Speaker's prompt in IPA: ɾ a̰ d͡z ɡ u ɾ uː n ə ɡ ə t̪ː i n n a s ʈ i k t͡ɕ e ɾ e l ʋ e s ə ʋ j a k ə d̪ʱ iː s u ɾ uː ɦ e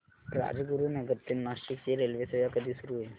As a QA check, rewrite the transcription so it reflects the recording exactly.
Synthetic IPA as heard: ɾ a̰ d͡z ɡ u ɾ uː n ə ɡ ə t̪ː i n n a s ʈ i k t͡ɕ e ɾ e l ʋ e s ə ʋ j a k ə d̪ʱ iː s u ɾ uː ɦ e